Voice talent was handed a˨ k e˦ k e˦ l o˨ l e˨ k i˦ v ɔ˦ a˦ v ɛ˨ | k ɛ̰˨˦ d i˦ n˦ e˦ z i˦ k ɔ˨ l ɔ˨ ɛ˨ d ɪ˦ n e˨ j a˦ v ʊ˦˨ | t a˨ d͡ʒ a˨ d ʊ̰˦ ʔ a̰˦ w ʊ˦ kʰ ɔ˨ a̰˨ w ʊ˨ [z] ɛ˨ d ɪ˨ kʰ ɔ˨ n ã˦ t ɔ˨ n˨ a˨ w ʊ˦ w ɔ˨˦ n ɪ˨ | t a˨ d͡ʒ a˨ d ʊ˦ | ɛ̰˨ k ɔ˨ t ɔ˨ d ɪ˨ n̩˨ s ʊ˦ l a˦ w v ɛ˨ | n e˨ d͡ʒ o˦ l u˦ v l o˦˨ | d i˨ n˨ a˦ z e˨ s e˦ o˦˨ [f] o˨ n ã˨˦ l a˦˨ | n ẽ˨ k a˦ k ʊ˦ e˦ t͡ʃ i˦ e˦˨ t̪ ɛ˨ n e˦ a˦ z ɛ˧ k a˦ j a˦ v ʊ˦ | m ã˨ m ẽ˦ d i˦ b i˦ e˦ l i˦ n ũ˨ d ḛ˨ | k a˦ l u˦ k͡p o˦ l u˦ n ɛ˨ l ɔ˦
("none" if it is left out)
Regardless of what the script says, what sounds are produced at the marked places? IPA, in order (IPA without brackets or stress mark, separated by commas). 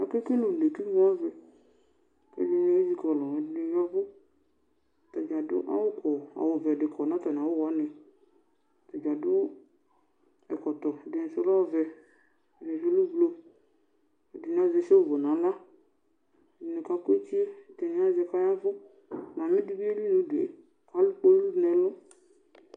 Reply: v, v